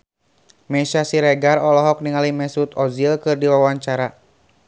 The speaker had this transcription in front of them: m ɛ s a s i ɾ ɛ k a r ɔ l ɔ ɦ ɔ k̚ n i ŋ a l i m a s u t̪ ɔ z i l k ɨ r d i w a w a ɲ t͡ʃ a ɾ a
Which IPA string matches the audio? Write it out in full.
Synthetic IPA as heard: m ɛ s a s i ɾ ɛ ɡ a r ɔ l ɔ ɦ ɔ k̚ n i ŋ a l i m ɛ s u t̪ ɔ z i l k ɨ r d i w a w a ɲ t͡ʃ a ɾ a